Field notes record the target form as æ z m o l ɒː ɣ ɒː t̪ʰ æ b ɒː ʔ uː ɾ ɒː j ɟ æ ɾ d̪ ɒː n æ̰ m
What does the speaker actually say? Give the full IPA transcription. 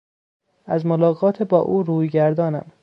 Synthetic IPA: æ z m o l ɒː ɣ ɒː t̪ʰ e b ɒː ʔ uː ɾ uː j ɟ æ ɾ d̪ ɒː n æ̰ m